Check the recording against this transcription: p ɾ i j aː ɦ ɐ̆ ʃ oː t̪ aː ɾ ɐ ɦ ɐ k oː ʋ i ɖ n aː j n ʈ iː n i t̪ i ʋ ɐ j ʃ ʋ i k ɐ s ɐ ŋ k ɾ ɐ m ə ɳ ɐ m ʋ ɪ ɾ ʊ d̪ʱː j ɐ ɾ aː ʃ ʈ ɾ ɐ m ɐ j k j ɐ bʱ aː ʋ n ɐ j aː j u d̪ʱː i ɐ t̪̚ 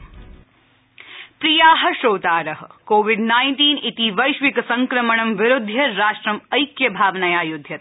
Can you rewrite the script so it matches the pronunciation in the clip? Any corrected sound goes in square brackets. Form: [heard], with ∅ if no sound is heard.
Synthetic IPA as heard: p ɾ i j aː ɦ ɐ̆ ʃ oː t̪ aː ɾ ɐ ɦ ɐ k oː ʋ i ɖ n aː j n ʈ iː n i t̪ i ʋ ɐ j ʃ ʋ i k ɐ s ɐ ŋ k ɾ ɐ m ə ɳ ɐ m ʋ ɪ ɾ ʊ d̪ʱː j ɐ ɾ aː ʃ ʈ ɾ ɐ m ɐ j k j ɐ bʱ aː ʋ n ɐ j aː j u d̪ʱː [j] ɐ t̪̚